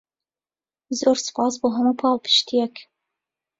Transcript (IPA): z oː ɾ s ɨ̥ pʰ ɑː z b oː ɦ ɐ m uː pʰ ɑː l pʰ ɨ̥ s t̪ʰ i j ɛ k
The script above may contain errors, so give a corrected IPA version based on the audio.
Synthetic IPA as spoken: z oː ɾ s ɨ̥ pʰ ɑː s b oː ɦ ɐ m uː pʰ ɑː l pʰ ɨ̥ ʃ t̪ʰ i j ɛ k